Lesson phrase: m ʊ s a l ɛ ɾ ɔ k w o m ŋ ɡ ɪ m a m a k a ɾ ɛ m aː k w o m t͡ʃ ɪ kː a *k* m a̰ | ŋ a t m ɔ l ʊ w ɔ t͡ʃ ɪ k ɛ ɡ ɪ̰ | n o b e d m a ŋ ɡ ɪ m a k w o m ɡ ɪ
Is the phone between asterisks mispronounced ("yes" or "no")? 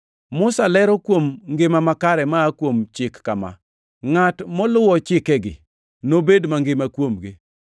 yes